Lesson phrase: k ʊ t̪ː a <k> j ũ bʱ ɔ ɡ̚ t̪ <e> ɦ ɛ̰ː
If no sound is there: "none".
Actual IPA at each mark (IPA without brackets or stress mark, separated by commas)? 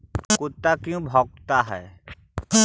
k, a